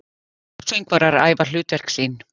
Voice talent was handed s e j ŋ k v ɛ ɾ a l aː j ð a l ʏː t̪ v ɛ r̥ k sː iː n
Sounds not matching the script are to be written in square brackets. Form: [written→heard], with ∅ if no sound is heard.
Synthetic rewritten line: s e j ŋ k v [ɛ→a] ɾ a [l→ɾ] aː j [ð→v] a l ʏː t̪ v ɛ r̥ k [sː→s] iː n